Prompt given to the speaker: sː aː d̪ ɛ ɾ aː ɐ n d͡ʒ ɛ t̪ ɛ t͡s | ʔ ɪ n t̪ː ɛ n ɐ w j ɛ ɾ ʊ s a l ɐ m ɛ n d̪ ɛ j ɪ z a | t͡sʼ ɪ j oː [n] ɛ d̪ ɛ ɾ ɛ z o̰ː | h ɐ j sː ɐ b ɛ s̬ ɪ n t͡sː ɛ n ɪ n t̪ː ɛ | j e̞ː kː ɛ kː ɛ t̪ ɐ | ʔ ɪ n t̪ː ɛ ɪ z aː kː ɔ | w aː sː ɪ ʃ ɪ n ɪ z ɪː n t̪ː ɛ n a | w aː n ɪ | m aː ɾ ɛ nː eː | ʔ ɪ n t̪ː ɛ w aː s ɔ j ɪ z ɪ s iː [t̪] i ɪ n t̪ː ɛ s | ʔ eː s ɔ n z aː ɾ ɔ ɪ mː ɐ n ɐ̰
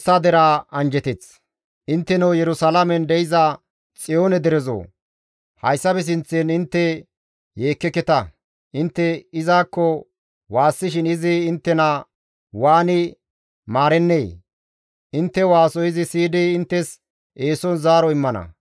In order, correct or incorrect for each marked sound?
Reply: correct, incorrect

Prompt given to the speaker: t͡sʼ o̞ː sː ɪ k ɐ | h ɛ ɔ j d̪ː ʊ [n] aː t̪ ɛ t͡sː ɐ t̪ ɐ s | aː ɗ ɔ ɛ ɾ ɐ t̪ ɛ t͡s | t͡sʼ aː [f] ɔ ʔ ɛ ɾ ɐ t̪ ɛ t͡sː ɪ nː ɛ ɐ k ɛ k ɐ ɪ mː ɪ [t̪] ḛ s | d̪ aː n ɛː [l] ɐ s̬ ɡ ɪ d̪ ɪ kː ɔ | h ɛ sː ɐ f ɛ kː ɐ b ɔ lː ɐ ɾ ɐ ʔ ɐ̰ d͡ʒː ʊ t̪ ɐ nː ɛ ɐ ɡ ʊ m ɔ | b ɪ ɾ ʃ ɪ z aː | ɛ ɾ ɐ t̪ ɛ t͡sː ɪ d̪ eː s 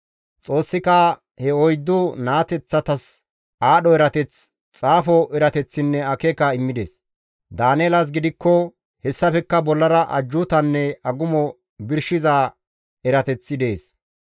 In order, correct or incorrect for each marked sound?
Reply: correct, correct, incorrect, correct

